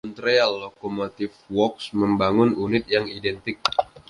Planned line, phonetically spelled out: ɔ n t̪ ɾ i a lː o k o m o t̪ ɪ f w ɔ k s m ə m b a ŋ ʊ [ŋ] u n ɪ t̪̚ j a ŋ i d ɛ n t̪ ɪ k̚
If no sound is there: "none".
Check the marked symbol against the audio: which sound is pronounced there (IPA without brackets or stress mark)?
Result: n